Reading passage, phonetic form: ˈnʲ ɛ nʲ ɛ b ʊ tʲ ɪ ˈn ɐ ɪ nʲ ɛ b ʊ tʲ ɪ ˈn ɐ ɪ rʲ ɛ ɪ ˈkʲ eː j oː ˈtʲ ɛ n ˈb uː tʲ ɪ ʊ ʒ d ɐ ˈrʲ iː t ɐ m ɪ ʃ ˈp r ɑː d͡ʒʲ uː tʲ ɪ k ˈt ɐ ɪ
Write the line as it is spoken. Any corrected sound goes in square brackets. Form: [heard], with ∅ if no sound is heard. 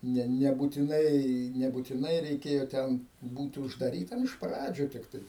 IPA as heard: ˈnʲ ɛ nʲ ɛ b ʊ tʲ ɪ ˈn ɐ ɪ nʲ ɛ b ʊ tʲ ɪ ˈn ɐ ɪ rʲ ɛ ɪ ˈkʲ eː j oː ˈtʲ ɛ n ˈb uː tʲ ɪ ʊ ʒ d ɐ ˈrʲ iː t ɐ m ɪ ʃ ˈp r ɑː d͡ʒʲ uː tʲ ɪ k ˈt ɐ ɪ

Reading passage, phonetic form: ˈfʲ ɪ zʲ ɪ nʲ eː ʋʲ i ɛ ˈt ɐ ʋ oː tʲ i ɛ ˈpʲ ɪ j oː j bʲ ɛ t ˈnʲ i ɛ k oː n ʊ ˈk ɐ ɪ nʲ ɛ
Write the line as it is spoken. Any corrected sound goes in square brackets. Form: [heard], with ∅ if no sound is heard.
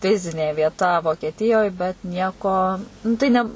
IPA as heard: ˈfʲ ɪ zʲ ɪ nʲ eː ʋʲ i ɛ ˈt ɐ ʋ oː [kʲ] i ɛ [ˈtʲ] ɪ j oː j bʲ ɛ t ˈnʲ i ɛ k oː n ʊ [ˈt] ɐ ɪ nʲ ɛ

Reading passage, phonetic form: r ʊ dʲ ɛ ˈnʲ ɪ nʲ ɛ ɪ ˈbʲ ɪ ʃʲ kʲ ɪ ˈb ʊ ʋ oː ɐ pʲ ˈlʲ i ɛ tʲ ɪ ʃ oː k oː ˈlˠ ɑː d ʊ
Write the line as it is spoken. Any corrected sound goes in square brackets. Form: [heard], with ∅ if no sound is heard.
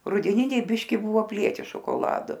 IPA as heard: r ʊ dʲ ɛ ˈnʲ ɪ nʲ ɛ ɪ ˈbʲ ɪ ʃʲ kʲ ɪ ˈb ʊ ʋ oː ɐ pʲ ˈlʲ i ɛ tʲ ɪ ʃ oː k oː ˈlˠ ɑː d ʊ

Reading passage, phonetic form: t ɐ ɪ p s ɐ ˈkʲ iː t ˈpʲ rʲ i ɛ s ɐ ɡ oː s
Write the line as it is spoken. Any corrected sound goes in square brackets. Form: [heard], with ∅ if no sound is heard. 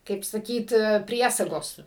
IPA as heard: [k] ɐ ɪ p s ɐ ˈkʲ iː t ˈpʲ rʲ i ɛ s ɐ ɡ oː s

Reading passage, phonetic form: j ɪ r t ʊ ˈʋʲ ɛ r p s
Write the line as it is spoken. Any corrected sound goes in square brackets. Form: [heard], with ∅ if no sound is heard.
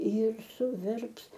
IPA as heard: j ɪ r [s] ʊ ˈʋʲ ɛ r p s

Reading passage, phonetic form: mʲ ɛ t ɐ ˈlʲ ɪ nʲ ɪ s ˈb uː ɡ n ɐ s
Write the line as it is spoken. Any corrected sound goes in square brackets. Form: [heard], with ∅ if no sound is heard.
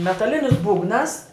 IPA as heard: mʲ ɛ t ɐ ˈlʲ ɪ nʲ ɪ s ˈb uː ɡ n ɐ s

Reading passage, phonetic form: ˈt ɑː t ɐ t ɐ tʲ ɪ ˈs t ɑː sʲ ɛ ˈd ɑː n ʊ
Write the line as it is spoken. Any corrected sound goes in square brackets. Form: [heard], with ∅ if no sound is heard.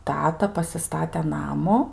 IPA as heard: ˈt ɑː t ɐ [p] ɐ [sʲ] ɪ ˈs t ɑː [tʲ] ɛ [ˈn] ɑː [m] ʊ

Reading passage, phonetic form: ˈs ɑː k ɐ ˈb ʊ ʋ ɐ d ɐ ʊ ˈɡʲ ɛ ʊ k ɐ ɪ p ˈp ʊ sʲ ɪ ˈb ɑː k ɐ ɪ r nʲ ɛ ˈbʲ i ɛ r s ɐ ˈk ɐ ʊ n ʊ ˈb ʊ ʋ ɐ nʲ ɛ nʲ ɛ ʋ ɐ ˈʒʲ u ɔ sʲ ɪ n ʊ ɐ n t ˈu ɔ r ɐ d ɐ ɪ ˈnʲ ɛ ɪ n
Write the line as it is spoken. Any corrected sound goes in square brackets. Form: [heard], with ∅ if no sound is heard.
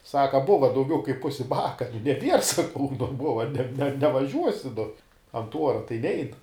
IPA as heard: ˈs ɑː k ɐ ˈb ʊ ʋ ɐ d ɐ ʊ ˈɡʲ ɛ ʊ k ɐ ɪ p ˈp ʊ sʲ ɪ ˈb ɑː k ɐ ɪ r nʲ ɛ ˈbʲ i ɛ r s ɐ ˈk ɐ ʊ n ʊ ˈb ʊ ʋ ɐ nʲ ɛ nʲ ɛ ʋ ɐ ˈʒʲ u ɔ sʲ ɪ n ʊ ɐ n t ˈu ɔ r ɐ [t] ɐ ɪ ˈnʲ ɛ ɪ n

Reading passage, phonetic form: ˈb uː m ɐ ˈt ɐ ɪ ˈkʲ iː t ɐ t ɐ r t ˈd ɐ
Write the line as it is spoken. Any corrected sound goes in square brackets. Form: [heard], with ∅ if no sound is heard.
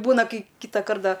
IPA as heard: ˈb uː [n] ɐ [ˈk] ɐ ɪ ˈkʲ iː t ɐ [k] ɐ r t ˈd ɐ

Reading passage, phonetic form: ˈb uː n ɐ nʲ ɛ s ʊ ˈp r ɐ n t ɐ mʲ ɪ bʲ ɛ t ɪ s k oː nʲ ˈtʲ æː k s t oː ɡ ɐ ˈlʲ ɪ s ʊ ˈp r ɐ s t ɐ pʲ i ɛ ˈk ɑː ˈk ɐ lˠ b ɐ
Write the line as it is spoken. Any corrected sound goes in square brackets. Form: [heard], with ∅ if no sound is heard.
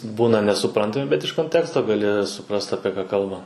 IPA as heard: ˈb uː n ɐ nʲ ɛ s ʊ ˈp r ɐ n t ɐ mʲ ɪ bʲ ɛ t ɪ [ʃ] k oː nʲ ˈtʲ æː k s t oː ɡ ɐ ˈlʲ ɪ s ʊ ˈp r ɐ s t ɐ pʲ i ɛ ˈk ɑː ˈk ɐ lˠ b ɐ

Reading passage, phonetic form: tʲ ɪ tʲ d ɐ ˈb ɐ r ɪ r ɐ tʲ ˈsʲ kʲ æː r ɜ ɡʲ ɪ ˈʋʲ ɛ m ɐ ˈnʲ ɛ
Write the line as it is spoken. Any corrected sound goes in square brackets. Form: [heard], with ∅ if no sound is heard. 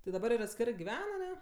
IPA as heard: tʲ ɪ [∅] d ɐ ˈb ɐ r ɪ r ɐ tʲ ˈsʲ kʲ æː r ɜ ɡʲ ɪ ˈʋʲ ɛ [n] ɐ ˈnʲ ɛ

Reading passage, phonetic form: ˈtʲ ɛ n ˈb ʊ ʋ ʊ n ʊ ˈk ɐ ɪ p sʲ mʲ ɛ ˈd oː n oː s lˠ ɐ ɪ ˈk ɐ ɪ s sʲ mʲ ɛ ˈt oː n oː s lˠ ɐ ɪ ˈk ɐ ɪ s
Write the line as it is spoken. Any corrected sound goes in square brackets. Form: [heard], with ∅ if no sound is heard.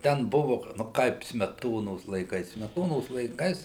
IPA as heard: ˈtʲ ɛ n ˈb ʊ ʋ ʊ n ʊ ˈk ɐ ɪ p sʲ mʲ ɛ [ˈt] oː n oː s lˠ ɐ ɪ ˈk ɐ ɪ s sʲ mʲ ɛ ˈt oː n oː s lˠ ɐ ɪ ˈk ɐ ɪ s

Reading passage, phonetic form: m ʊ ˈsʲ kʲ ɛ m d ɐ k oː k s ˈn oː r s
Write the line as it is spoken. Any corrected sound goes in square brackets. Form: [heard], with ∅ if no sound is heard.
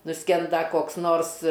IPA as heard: [n] ʊ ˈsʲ kʲ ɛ [n] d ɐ k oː k s ˈn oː r s

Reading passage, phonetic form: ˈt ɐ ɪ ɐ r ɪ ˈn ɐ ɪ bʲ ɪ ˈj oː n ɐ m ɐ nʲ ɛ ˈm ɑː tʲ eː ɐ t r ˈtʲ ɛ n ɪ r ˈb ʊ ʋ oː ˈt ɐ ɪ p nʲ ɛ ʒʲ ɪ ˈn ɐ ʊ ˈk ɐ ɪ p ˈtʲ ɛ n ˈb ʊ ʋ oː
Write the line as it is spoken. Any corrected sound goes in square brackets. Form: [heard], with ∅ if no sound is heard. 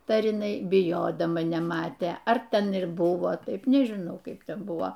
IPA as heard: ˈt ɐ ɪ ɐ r ɪ ˈn ɐ ɪ bʲ ɪ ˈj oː [d] ɐ m ɐ nʲ ɛ ˈm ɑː tʲ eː ɐ [∅] r ˈtʲ ɛ n ɪ r ˈb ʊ ʋ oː ˈt ɐ ɪ p nʲ ɛ ʒʲ ɪ ˈn ɐ ʊ ˈk ɐ ɪ p ˈtʲ ɛ n ˈb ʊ ʋ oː

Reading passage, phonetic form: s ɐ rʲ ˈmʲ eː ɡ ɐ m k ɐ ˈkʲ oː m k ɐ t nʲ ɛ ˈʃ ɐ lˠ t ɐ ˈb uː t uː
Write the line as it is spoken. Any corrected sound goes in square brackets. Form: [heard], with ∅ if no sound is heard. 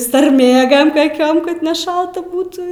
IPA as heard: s ɐ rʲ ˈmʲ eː ɡ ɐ m k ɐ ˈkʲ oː m k ɐ t nʲ ɛ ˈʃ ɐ lˠ t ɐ ˈb uː t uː

